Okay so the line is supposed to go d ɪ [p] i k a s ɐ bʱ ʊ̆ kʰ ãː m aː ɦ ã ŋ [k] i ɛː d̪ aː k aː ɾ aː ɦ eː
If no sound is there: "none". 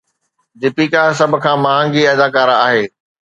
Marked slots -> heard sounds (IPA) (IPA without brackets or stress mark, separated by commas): p, ɡ